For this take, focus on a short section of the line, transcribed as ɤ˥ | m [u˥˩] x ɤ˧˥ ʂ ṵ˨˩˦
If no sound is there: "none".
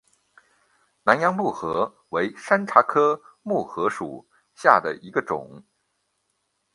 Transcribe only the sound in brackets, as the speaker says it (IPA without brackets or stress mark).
u˥˩